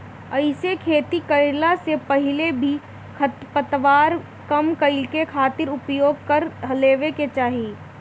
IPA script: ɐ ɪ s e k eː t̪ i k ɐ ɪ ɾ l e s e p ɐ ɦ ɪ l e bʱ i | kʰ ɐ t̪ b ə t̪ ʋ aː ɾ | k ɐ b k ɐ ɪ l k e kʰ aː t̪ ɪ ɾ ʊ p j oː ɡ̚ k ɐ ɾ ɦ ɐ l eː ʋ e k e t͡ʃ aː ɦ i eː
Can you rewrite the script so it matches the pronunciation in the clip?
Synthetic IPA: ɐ ɪ s e kʰ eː t̪ i k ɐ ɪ ɾ l a s e p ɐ ɦ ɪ l e bʱ i | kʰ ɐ t̪ p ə t̪ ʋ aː ɾ | k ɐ m k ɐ ɪ l k e kʰ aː t̪ ɪ ɾ ʊ p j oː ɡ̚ k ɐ ɾ ɦ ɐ l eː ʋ e k e t͡ʃ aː ɦ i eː

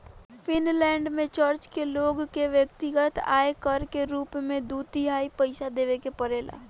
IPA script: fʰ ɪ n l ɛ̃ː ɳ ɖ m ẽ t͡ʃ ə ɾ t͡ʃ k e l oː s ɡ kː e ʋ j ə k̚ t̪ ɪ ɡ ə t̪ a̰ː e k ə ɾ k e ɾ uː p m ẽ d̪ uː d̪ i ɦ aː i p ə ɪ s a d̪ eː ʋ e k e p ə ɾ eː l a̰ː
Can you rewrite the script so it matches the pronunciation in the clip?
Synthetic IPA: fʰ ɪ n l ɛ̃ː ɳ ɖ m ẽ t͡ʃ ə ɾ t͡ʃ k e l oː ɡ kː e ʋ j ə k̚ t̪ ɪ ɡ ə t̪ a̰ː e k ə ɾ k e ɾ uː p m ẽ d̪ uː t̪ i ɦ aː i p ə ɪ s a d̪ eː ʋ e k e p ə ɾ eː l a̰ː

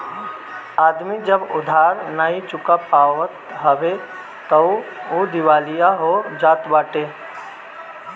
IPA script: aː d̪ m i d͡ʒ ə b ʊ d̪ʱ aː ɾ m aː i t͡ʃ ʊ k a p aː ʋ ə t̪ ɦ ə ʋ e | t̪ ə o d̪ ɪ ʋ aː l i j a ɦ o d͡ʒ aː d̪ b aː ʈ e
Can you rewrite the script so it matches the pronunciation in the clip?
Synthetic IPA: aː d̪ m i d͡ʒ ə b ʊ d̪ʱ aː ɾ n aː i t͡ʃ ʊ k a p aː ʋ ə t̪ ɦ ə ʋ e | t̪ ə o d̪ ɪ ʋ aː l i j a ɦ o d͡ʒ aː t̪ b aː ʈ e

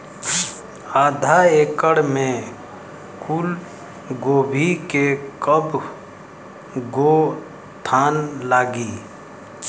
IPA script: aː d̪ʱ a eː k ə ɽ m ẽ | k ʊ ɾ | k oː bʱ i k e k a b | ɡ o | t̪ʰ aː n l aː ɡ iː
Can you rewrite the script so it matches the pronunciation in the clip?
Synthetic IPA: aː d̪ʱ a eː k ə ɽ m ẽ | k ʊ l | ɡ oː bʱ i k e k ə b | ɡ o | t̪ʰ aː n l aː ɡ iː

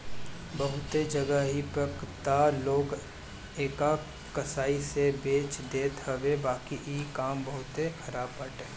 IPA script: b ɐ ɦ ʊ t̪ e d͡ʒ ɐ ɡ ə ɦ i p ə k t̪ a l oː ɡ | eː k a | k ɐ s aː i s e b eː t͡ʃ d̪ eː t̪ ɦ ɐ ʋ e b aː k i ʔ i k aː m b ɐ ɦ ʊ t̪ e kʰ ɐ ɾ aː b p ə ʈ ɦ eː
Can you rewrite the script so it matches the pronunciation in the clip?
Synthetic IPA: b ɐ ɦ ʊ t̪ e d͡ʒ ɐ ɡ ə ɦ i p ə k t̪ a l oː ɡ | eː k a | k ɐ s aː i s e b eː t͡ʃ d̪ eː t̪ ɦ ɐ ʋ e b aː k i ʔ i k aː m b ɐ ɦ ʊ t̪ e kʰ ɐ ɾ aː b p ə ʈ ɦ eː

